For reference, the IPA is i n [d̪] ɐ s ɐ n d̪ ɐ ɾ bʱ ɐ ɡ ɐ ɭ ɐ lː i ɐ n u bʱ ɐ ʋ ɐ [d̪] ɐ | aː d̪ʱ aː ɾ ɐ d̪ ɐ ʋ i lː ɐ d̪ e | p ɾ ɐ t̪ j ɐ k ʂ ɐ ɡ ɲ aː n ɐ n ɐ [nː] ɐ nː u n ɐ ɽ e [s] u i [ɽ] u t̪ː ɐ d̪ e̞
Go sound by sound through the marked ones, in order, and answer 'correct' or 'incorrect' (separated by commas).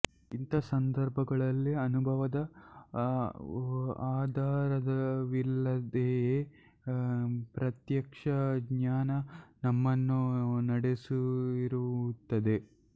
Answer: incorrect, correct, incorrect, correct, incorrect